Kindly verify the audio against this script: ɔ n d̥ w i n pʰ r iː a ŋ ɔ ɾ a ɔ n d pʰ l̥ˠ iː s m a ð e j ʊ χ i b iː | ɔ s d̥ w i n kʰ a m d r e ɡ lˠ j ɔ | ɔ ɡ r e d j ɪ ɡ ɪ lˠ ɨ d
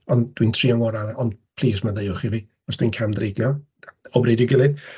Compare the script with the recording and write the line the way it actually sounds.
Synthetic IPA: ɔ n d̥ w i n tʰ r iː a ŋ ɔ ɾ a ɔ n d pʰ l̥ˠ iː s m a ð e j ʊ χ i v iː | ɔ s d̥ w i n kʰ a m d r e ɡ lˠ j ɔ | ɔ b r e d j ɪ ɡ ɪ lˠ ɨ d